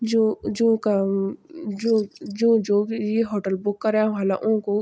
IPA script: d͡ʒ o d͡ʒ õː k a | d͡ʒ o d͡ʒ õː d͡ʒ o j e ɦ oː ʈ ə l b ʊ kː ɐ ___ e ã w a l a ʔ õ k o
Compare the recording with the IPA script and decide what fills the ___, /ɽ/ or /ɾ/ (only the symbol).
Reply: ɾ